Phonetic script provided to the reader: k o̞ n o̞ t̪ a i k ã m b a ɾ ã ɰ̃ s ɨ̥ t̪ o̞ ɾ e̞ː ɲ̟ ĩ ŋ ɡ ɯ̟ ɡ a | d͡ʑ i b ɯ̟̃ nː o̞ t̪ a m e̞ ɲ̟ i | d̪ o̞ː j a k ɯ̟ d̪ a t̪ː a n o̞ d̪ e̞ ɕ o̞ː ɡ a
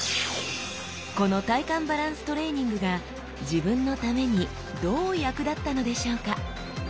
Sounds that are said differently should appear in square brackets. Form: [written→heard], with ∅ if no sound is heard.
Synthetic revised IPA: k o̞ n o̞ t̪ a i k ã m b a ɾ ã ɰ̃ s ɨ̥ t̪ o̞ ɾ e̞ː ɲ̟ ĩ ŋ ɡ ɯ̟ ɡ a | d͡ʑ i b ɯ̟̃ nː o̞ t̪ a m e̞ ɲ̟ i | d̪ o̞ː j a k ɯ̟ d̪ a t̪ː a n o̞ d̪ e̞ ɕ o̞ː [ɡ→k] a